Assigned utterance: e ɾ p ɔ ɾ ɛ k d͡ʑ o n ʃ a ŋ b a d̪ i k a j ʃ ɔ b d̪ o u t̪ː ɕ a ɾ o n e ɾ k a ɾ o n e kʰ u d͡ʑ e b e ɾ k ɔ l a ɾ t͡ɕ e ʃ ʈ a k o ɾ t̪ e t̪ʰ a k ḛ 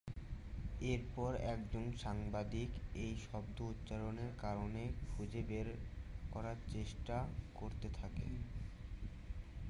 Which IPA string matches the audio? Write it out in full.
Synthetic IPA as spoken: e ɾ p ɔ ɾ ɛ k d͡ʑ o n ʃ a ŋ b a d̪ i k e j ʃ ɔ b d̪ o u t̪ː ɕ a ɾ o n e ɾ k a ɾ o n e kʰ u d͡ʑ e b e ɾ k ɔ ɾ a ɾ t͡ɕ e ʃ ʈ a k o ɾ t̪ e t̪ʰ a k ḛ